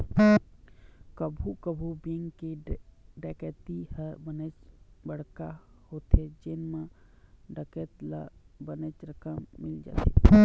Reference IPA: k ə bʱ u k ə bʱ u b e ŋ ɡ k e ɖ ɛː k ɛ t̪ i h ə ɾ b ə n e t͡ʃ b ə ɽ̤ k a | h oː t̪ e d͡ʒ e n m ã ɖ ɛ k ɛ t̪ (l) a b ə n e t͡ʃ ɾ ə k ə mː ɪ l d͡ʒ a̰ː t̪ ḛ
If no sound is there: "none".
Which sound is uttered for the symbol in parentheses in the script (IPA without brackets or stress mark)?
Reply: l